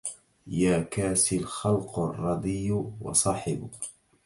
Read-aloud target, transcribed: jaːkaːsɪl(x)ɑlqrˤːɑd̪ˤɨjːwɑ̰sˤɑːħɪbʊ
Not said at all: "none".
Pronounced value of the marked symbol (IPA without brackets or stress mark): x